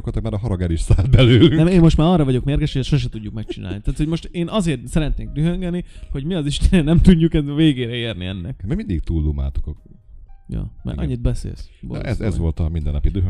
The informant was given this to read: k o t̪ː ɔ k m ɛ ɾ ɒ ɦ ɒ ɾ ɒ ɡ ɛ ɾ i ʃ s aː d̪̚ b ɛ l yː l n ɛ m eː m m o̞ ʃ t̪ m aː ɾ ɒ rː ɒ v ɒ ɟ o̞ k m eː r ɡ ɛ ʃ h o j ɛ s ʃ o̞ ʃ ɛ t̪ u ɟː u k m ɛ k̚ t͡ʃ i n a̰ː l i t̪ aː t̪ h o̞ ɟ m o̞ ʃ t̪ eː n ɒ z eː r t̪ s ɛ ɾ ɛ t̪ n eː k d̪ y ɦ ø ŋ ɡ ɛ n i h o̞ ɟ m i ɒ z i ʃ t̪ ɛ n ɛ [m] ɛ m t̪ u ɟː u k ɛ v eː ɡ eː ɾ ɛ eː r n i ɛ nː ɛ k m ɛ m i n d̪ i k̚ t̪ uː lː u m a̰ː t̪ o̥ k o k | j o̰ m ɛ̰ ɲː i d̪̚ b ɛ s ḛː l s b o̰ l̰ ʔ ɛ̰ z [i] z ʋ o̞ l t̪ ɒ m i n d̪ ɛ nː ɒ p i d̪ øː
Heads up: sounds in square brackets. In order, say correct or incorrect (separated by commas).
incorrect, incorrect